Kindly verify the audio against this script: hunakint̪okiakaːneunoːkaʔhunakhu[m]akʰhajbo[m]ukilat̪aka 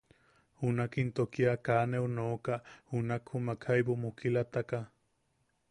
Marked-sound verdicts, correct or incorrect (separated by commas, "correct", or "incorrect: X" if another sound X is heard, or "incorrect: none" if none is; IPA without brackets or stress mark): correct, correct